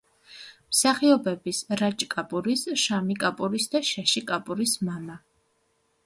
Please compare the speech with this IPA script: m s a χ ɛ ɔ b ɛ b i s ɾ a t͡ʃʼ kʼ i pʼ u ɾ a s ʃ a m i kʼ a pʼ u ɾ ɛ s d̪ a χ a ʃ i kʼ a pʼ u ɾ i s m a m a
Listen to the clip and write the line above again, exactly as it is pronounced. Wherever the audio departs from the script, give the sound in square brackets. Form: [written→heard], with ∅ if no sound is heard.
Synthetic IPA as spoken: m s a χ [ɛ→i] ɔ b ɛ b i s ɾ a t͡ʃʼ kʼ [i→a] pʼ u ɾ [a→i] s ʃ a m i kʼ a pʼ u ɾ [ɛ→i] s d̪ a [χ→ʃ] a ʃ i kʼ a pʼ u ɾ i s m a m a

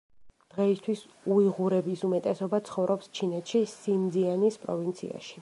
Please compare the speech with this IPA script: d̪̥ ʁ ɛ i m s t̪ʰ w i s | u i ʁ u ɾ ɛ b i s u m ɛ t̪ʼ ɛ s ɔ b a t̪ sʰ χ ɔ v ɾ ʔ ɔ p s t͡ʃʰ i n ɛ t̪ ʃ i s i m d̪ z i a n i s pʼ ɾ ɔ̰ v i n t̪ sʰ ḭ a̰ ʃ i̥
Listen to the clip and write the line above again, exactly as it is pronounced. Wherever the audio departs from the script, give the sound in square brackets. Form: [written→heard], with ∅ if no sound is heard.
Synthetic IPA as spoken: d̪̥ ʁ ɛ i [m→∅] s t̪ʰ w i s | u i ʁ u ɾ ɛ b i s u m ɛ t̪ʼ ɛ s ɔ b a t̪ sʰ χ ɔ v ɾ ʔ ɔ p s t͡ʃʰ i n ɛ t̪ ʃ i s i m d̪ z i a n i s pʼ ɾ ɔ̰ v i n t̪ sʰ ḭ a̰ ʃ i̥

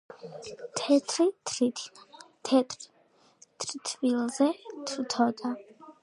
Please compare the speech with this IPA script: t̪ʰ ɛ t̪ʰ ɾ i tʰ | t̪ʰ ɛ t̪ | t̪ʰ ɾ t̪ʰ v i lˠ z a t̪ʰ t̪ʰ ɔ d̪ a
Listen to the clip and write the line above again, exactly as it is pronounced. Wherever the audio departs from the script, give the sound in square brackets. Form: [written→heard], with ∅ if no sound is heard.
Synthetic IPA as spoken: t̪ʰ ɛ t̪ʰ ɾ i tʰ | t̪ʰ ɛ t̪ | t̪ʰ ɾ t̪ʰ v i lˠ z [a→ɛ] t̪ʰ t̪ʰ ɔ d̪ a

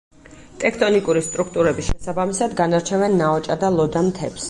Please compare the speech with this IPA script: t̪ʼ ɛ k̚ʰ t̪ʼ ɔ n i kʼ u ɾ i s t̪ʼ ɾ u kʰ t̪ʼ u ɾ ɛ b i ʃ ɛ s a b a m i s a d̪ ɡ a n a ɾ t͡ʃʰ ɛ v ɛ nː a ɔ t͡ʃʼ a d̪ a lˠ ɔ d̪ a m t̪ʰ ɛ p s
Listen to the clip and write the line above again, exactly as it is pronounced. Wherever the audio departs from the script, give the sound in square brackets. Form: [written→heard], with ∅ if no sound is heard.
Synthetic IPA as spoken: t̪ʼ ɛ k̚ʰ t̪ʼ ɔ n i kʼ u ɾ i s t̪ʼ ɾ u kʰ t̪ʼ u ɾ ɛ b i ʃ ɛ s a b a m i s a d̪ ɡ a n a ɾ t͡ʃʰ ɛ v ɛ nː a ɔ t͡ʃʼ a d̪ a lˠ ɔ d̪ a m t̪ʰ ɛ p s

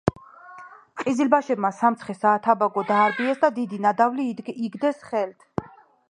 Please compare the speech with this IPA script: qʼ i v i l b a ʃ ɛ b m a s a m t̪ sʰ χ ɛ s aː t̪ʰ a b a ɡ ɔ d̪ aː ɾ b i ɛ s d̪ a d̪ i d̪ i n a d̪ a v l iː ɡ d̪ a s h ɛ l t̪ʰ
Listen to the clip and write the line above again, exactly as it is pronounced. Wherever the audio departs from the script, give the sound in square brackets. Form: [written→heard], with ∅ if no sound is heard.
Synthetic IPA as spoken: qʼ i [v→z] i l b a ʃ ɛ b m a s a m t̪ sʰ χ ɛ s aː t̪ʰ a b a ɡ ɔ d̪ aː ɾ b i ɛ s d̪ a d̪ i d̪ i n a d̪ a v l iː ɡ d̪ [a→ɛ] s [h→χ] ɛ l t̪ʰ

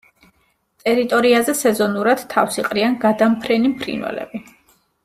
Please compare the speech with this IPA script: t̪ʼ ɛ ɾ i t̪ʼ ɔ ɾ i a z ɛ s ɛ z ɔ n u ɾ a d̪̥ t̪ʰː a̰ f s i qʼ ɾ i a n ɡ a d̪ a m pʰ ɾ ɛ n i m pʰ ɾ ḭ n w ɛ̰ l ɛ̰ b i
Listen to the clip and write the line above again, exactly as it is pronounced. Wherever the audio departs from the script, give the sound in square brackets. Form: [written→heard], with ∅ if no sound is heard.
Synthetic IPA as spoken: t̪ʼ ɛ ɾ i t̪ʼ ɔ ɾ i a z ɛ s ɛ z ɔ n u ɾ a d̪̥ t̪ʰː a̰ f s i qʼ ɾ i a n ɡ a d̪ a m pʰ ɾ ɛ n i m pʰ ɾ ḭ n w ɛ̰ l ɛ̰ b i

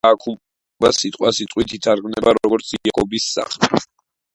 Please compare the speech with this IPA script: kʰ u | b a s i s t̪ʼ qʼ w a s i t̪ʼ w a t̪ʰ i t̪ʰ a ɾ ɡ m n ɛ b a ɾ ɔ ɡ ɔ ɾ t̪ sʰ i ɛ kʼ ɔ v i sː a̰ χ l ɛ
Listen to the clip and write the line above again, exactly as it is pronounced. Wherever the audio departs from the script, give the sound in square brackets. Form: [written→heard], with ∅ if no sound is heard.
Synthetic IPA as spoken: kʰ u | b a s i [s→∅] t̪ʼ qʼ w a s i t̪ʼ w [a→i] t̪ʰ i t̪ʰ a ɾ ɡ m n ɛ b a ɾ ɔ ɡ ɔ ɾ t̪ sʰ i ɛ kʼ ɔ [v→b] i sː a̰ χ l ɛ

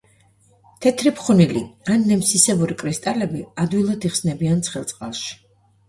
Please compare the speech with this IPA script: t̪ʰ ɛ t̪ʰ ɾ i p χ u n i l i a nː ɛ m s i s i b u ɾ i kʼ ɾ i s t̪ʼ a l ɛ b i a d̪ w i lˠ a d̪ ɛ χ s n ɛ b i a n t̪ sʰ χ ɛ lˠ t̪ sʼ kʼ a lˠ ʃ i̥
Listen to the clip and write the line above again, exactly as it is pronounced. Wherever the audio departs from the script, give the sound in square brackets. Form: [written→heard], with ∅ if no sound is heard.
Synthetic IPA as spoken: t̪ʰ ɛ t̪ʰ ɾ i p χ u n i l i a nː ɛ m s i s [i→ɛ] b u ɾ i kʼ ɾ i s t̪ʼ a l ɛ b i a d̪ w i lˠ a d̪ [ɛ→i] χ s n ɛ b i a n t̪ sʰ χ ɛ lˠ t̪ sʼ [kʼ→qʼ] a lˠ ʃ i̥

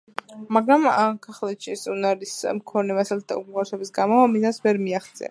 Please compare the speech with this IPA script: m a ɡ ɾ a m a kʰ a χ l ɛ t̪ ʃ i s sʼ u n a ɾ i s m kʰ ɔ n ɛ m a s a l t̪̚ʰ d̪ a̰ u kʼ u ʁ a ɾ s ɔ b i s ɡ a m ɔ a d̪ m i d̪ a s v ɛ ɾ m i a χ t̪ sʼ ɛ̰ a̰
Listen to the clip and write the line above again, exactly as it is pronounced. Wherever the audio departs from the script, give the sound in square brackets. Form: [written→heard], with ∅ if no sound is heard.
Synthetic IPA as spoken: m a ɡ ɾ a m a kʰ a χ l ɛ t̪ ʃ i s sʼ u n a ɾ i s m kʰ ɔ n ɛ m a s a l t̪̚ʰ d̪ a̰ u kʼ u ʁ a ɾ s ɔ b i s ɡ a m ɔ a [d̪→∅] m i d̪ a s v ɛ ɾ m i a χ t̪ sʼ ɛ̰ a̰

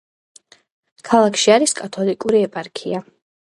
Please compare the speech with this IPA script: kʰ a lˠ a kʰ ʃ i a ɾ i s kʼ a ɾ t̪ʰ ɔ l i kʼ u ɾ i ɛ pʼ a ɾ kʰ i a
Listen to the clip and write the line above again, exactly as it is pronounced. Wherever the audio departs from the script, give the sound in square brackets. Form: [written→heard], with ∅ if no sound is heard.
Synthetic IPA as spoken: kʰ a lˠ a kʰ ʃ i a ɾ i s kʼ a [ɾ→∅] t̪ʰ ɔ l i kʼ u ɾ i ɛ pʼ a ɾ kʰ i a

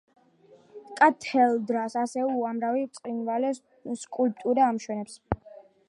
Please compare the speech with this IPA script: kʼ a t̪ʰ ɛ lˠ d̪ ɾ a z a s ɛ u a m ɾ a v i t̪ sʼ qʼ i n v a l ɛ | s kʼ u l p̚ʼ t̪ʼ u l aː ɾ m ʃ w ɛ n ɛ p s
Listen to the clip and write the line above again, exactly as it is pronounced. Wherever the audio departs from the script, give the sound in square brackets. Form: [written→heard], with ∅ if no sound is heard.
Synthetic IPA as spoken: kʼ a t̪ʰ ɛ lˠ d̪ ɾ a [z→s] a s ɛ u a m ɾ a v i t̪ sʼ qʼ i n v a l ɛ | s kʼ u l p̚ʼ t̪ʼ u [l→ɾ] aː [ɾ→∅] m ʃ w ɛ n ɛ p s

